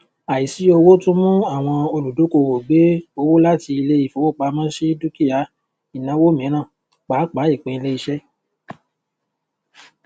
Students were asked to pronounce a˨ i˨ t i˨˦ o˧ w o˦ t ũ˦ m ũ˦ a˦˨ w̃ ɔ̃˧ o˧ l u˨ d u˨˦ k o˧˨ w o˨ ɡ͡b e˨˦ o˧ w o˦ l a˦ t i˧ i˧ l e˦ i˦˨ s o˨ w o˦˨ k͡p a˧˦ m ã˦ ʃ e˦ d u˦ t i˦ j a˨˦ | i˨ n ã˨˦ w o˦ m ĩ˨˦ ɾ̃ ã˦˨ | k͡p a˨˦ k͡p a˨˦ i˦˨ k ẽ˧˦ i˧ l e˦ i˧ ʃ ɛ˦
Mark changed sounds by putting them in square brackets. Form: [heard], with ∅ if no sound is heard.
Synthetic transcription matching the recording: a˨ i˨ [s] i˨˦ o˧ w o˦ t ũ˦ m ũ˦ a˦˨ w̃ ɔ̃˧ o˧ l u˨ d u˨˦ k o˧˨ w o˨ ɡ͡b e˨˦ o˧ w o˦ l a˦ t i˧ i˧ l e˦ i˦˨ [f] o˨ w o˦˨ k͡p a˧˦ m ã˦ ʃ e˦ d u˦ [k] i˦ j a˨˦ | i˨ n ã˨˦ w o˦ m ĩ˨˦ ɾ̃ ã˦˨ | k͡p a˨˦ k͡p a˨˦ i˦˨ [k͡p] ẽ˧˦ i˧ l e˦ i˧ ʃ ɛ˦